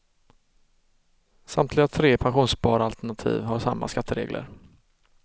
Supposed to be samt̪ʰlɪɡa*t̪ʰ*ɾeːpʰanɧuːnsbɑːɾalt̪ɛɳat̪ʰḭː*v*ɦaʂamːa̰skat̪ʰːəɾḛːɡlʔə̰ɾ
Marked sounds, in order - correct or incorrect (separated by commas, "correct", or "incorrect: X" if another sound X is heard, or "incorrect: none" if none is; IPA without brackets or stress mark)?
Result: correct, correct